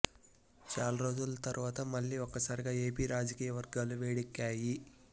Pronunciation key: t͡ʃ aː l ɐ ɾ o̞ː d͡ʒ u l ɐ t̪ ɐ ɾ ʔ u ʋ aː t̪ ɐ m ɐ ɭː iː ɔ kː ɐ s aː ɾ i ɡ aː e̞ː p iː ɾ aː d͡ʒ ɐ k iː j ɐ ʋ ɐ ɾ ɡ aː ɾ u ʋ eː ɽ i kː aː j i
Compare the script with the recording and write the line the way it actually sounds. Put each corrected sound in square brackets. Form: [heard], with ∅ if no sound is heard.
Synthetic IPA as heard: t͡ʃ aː l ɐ ɾ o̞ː d͡ʒ u l ɐ t̪ ɐ ɾ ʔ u ʋ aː t̪ ɐ m ɐ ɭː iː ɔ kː ɐ s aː ɾ i ɡ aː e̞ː p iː ɾ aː d͡ʒ ɐ k iː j ɐ ʋ ɐ ɾ ɡ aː [l] u ʋ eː ɽ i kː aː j i